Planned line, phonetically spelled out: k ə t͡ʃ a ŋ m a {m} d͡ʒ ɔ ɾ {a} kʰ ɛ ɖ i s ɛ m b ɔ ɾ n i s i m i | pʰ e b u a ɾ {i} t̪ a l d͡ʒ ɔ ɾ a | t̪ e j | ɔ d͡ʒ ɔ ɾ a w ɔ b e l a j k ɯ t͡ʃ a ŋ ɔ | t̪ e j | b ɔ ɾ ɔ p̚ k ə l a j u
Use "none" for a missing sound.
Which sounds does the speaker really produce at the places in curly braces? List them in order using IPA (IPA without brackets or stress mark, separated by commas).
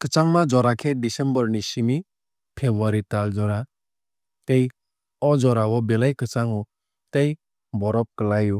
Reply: none, a, i